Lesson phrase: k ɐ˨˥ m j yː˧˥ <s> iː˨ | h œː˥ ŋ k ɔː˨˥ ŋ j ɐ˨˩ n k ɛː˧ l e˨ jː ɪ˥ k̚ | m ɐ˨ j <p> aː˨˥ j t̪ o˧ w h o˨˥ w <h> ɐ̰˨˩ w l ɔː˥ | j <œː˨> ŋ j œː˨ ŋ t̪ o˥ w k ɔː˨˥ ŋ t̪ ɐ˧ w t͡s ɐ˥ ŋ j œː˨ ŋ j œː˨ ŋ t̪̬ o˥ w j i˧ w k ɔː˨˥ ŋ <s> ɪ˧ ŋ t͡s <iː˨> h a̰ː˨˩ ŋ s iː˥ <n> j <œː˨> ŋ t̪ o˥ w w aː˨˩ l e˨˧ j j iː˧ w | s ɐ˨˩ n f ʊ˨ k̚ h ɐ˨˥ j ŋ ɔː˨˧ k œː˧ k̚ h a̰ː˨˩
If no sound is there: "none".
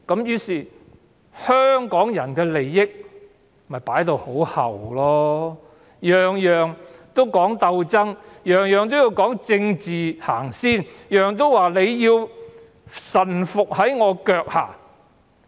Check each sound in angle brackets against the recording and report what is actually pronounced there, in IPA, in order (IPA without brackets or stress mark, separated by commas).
s, p, h, œː˨, t͡s, iː˨, n, œː˨